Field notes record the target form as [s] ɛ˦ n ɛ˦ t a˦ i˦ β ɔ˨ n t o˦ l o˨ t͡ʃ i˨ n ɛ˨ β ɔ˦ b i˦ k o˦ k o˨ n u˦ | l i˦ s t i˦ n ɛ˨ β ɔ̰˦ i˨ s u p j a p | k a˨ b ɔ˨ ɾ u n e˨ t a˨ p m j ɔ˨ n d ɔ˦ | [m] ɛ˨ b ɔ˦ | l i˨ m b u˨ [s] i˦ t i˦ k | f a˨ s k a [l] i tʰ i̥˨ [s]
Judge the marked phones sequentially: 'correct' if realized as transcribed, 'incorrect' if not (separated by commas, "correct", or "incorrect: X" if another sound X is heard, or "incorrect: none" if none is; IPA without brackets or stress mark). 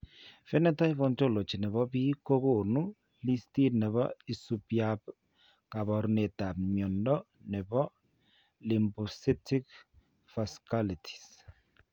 incorrect: f, incorrect: n, correct, correct, correct